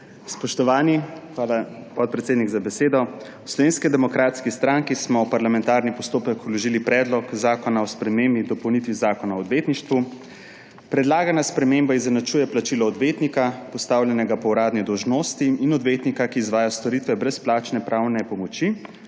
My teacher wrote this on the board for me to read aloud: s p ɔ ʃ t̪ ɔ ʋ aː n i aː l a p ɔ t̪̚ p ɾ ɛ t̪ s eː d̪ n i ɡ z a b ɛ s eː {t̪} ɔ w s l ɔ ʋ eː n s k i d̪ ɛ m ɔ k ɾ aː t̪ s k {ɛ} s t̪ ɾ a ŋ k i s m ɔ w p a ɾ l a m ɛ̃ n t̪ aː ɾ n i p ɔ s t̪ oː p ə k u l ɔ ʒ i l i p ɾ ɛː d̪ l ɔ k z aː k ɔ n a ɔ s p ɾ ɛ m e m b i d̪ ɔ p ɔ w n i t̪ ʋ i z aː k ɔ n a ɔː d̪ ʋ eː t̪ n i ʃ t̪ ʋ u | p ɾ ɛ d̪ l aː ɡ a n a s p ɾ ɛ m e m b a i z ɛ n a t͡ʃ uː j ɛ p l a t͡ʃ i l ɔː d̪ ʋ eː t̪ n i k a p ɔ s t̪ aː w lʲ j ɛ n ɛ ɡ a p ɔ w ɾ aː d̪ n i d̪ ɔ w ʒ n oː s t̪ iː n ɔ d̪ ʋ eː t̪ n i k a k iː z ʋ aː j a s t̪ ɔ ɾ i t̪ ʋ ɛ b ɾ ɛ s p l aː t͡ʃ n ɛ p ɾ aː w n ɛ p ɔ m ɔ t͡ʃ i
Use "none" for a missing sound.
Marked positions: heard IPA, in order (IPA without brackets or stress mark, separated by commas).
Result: d̪, i